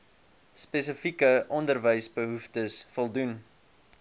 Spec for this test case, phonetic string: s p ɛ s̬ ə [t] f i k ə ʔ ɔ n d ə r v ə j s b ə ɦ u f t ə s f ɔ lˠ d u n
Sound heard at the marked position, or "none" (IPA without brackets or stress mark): none